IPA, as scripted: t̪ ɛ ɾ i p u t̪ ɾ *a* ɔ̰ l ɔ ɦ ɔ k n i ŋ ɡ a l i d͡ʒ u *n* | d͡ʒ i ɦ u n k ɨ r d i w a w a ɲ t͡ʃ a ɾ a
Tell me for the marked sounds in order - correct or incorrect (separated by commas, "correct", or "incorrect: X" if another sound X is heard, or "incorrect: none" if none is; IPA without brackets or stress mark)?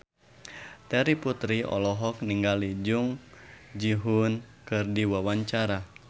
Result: incorrect: i, incorrect: ŋ